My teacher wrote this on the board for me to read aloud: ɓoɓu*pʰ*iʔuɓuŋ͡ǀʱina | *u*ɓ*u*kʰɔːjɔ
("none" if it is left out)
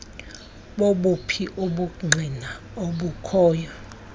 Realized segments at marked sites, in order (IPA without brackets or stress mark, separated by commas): pʰ, o, u